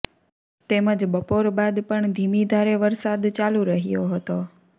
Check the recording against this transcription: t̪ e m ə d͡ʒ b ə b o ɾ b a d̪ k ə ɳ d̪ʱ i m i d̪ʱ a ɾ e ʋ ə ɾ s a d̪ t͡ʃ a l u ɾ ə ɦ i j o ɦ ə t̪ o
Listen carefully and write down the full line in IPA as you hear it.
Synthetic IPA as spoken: t̪ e m ə d͡ʒ b ə p o ɾ b a d̪ p ə ɳ d̪ʱ i m i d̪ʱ a ɾ e ʋ ə ɾ s a d̪ t͡ʃ a l u ɾ ə ɦ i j o ɦ ə t̪ o

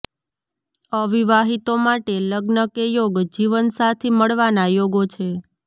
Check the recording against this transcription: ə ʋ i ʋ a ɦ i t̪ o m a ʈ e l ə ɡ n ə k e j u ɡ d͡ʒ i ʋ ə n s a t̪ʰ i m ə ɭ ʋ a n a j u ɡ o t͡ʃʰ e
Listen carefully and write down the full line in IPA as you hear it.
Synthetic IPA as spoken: ə ʋ i ʋ a ɦ i t̪ o m a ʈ e l ə ɡ n ə k e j o ɡ d͡ʒ i ʋ ə n s a t̪ʰ i m ə ɭ ʋ a n a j o ɡ o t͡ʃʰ e

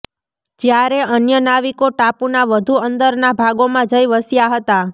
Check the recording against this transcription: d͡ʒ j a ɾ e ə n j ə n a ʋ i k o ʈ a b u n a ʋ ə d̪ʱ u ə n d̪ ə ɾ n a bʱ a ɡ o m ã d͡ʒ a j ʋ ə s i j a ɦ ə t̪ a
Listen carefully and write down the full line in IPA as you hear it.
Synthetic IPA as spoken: d͡ʒ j a ɾ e ə n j ə n a ʋ i k o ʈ a p u n a ʋ ə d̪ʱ u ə n d̪ ə ɾ n a bʱ a ɡ o m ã d͡ʒ ə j ʋ ə s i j a ɦ ə t̪ a

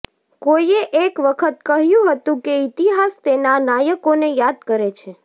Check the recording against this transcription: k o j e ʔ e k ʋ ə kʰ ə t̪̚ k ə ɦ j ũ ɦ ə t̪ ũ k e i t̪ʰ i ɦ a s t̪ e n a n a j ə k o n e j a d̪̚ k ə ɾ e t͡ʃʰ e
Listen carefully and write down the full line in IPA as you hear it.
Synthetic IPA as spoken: k o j e ʔ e k ʋ ə kʰ ə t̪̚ k ə ɦ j ũ ɦ ə t̪ ũ k e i t̪ i ɦ a s t̪ e n a n a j ə k o n e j a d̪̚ k ə ɾ e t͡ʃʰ e

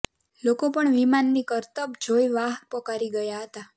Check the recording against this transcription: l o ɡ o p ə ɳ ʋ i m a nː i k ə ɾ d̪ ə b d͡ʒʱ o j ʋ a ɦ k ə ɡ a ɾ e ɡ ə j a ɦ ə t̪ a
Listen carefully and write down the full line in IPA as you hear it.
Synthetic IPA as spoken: l o k o p ə ɳ ʋ i m a nː i k ə ɾ t̪ ə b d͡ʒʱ o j ʋ a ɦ p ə k a ɾ i ɡ ə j a ɦ ə t̪ a

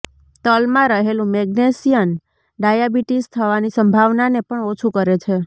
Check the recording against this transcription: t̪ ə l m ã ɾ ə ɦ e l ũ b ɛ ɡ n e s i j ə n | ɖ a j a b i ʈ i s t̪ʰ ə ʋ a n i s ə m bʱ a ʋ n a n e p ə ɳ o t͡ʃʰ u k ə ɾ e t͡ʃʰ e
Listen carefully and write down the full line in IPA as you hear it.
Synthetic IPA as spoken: t̪ ə l m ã ɾ ə ɦ e l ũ m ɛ ɡ n e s i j ə n | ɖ a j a b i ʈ i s t̪ʰ ə ʋ a n i s ə m bʱ a ʋ n a n e p ə ɳ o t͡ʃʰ u k ə ɾ e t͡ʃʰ e

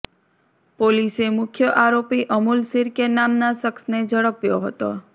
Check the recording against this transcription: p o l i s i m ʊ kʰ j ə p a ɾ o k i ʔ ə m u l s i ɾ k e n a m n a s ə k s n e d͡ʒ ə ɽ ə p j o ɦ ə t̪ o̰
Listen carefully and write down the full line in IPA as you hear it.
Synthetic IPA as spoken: p o l i s e m ʊ kʰ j ə ʔ a ɾ o p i ʔ ə m u l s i ɾ k e n a m n a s ə k s n e d͡ʒ ə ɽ ə p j o ɦ ə t̪ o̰

